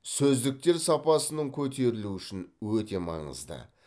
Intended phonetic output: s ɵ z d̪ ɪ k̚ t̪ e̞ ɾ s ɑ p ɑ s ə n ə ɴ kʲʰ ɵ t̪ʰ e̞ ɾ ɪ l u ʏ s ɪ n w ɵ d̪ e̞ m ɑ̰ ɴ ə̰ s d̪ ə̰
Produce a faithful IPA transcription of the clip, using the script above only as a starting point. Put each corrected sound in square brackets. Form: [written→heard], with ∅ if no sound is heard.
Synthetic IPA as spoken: s ɵ z d̪ ɪ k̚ t̪ e̞ ɾ s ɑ p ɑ s ə n ə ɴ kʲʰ ɵ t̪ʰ e̞ ɾ ɪ l u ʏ [s→ʃ] ɪ n w ɵ [d̪→t̪] e̞ m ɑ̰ ɴ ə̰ [s→z] d̪ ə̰